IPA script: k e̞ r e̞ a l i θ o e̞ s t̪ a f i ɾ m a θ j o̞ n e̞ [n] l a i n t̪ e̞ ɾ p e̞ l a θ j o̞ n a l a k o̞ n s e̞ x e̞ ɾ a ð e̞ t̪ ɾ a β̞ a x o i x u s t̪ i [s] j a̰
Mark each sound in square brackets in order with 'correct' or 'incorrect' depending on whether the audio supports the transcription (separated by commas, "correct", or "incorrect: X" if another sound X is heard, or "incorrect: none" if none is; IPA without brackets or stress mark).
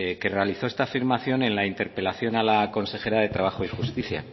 correct, incorrect: θ